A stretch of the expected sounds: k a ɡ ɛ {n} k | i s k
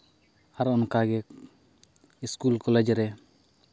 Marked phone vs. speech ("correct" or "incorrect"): incorrect